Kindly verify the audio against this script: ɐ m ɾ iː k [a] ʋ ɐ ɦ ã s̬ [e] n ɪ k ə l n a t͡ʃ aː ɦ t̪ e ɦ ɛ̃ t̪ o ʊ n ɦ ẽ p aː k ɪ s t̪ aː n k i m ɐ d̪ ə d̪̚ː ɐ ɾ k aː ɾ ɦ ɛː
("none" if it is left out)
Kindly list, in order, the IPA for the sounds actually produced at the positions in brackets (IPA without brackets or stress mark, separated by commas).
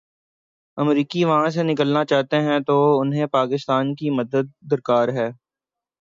i, e